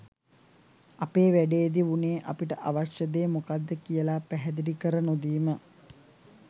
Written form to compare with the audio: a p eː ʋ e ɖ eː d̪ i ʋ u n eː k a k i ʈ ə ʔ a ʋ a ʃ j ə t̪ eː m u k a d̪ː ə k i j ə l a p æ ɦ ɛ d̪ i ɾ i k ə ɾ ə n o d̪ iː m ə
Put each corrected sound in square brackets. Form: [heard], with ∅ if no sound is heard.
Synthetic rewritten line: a p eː ʋ [æ] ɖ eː d̪ i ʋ u n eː [ʔ] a [p] i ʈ ə ʔ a ʋ a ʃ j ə [d̪] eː m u k a d̪ː ə k i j ə l a p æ ɦ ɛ d̪ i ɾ i k ə ɾ ə n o d̪ iː m ə

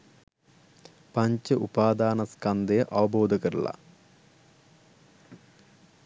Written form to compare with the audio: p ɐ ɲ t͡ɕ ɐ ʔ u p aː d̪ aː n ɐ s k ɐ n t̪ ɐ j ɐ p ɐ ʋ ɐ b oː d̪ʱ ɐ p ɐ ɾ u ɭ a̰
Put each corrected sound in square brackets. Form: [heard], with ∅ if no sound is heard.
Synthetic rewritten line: p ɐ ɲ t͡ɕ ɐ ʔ u p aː d̪ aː n ɐ s k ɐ n [d̪] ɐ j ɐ [ʔ] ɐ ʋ ɐ b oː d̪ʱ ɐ [k] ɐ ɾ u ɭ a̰

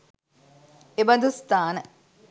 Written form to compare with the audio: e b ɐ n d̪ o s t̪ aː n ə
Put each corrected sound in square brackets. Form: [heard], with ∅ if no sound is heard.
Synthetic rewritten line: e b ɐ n d̪ [u] s t̪ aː n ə

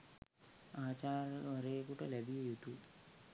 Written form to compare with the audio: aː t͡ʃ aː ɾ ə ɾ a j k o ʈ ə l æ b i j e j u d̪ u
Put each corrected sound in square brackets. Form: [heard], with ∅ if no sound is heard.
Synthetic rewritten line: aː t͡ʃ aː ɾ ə ɾ [e] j k [u] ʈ ə l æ b i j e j u [t̪] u

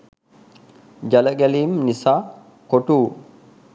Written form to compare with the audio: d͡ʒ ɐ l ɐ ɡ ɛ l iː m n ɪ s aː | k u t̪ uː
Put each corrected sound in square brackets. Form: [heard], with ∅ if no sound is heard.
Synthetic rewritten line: d͡ʒ ɐ l ɐ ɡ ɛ l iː m n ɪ s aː | k [ɔ] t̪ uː

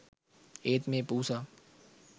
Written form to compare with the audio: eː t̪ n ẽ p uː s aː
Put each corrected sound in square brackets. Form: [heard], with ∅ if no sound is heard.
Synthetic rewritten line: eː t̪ [m] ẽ p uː s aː

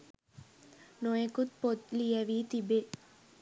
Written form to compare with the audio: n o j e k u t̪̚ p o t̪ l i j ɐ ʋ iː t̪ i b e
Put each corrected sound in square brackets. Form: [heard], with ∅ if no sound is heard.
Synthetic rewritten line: n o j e k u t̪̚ p o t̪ l i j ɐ ʋ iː t̪ i b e

